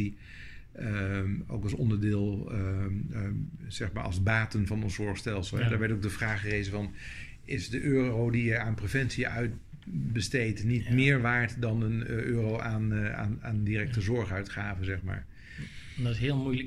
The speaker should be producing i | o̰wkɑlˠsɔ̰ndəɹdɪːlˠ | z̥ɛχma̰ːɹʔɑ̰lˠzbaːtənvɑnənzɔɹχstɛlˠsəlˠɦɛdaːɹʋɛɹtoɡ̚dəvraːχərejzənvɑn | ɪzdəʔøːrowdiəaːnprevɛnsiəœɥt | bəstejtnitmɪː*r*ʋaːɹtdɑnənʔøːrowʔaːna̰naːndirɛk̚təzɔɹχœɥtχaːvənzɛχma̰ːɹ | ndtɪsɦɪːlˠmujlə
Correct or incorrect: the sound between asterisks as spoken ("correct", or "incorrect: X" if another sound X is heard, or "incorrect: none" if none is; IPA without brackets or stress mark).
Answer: incorrect: ɹ